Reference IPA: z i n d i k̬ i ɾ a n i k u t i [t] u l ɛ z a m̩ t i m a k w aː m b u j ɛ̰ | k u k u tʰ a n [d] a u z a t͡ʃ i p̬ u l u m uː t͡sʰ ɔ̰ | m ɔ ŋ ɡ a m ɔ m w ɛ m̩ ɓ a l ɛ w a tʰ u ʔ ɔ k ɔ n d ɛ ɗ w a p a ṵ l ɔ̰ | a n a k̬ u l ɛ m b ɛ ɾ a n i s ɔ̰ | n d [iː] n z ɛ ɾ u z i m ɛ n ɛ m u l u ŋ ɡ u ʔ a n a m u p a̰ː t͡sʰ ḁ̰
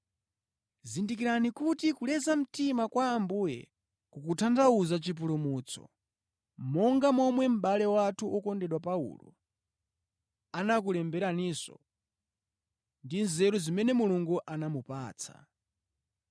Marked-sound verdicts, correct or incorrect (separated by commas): incorrect, correct, incorrect